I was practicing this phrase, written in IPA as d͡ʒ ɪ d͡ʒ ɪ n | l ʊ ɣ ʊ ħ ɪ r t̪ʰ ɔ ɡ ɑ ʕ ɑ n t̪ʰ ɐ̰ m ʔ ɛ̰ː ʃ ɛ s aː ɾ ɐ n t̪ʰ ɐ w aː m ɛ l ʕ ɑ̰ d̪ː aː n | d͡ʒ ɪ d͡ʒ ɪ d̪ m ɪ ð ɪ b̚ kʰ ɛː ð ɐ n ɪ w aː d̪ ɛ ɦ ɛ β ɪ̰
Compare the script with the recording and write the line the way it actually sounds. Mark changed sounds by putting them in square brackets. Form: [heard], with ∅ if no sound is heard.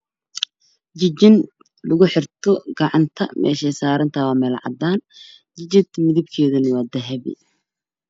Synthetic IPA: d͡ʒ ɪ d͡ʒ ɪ n | l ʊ ɣ ʊ ħ ɪ r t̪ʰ ɔ ɡ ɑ ʕ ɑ n t̪ʰ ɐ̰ m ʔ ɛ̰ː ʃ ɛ s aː ɾ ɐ n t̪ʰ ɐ w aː m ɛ l ʕ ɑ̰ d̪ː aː n | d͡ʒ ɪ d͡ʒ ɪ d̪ m ɪ ð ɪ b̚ kʰ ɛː ð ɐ n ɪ w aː d̪ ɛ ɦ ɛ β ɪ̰